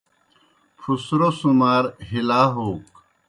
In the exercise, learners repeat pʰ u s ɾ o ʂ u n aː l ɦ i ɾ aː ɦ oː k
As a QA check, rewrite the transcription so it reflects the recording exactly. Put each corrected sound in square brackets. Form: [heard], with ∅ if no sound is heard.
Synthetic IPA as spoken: pʰ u s ɾ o [s] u [m] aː [ɾ] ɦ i [l] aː ɦ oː k